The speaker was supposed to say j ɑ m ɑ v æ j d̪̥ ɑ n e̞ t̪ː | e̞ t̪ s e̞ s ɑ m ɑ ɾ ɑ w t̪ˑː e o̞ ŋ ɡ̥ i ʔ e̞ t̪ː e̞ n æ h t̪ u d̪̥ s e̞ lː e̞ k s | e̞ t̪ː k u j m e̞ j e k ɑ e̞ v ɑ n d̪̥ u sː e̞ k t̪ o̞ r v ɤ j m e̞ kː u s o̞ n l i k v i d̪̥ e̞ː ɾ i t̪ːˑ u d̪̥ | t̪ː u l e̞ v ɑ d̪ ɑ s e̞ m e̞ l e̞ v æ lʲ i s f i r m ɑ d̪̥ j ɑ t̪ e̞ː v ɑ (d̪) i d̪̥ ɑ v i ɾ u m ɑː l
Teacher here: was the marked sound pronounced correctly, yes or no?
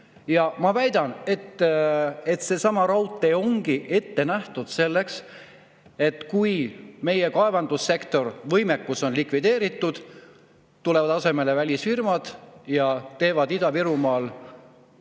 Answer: yes